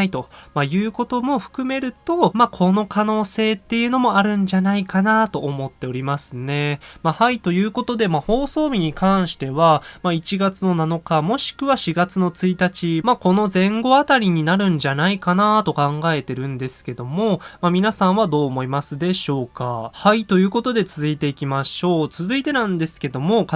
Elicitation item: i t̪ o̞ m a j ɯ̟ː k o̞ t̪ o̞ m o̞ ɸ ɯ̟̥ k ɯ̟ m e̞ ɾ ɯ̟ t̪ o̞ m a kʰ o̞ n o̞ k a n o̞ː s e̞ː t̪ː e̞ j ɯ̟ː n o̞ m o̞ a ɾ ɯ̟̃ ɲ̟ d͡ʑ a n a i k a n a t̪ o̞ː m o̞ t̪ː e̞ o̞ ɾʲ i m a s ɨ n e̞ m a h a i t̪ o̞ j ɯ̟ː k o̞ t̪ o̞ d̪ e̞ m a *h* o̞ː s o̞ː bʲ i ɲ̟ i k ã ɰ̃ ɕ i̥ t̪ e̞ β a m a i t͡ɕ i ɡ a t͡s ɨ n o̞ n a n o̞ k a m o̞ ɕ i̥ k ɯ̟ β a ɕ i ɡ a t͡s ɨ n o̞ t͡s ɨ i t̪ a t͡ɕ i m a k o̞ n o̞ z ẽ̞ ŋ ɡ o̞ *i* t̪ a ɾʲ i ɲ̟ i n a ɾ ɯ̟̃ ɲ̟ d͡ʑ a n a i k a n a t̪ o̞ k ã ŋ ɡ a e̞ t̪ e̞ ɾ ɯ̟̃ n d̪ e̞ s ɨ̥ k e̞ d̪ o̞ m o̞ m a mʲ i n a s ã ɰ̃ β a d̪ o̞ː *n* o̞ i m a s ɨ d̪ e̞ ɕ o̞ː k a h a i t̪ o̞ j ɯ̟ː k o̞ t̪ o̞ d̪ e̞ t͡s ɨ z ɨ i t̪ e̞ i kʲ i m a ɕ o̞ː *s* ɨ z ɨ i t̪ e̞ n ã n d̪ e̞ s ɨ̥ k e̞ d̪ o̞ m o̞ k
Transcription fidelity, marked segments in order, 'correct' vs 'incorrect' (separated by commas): correct, incorrect, incorrect, incorrect